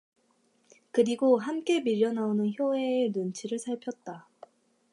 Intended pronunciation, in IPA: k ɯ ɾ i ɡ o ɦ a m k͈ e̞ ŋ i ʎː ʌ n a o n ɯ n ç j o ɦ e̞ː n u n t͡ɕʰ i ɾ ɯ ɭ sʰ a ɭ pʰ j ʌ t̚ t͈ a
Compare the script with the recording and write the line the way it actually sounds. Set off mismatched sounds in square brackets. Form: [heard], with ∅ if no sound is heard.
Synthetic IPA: k ɯ ɾ i ɡ o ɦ a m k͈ e̞ [m] i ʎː ʌ n a o n ɯ n ç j o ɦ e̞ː n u n t͡ɕʰ i ɾ ɯ ɭ sʰ a ɭ pʰ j ʌ t̚ t͈ a